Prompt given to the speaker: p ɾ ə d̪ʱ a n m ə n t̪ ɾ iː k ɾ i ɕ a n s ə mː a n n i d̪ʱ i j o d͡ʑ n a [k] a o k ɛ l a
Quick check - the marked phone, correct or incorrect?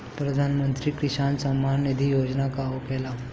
correct